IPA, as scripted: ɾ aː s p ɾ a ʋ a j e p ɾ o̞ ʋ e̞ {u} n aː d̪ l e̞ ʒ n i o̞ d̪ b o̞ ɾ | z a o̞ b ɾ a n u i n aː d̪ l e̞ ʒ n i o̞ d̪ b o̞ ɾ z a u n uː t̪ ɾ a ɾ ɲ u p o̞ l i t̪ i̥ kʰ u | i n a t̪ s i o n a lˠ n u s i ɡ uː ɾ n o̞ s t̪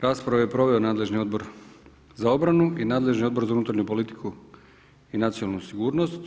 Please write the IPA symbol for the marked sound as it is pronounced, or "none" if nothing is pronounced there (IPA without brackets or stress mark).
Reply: o